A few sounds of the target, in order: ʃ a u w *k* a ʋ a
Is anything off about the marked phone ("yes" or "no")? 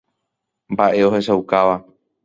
no